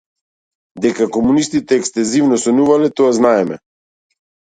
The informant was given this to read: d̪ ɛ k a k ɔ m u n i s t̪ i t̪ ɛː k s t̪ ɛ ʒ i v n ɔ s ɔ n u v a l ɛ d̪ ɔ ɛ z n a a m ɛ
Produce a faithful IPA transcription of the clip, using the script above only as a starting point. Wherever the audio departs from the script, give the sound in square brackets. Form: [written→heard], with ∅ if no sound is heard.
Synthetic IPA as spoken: d̪ ɛ k a k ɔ m u n i s t̪ i t̪ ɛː k s t̪ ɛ [ʒ→z] i v n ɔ s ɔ n u v a l ɛ [d̪→t̪] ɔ [ɛ→a] z n a [a→ɛ] m ɛ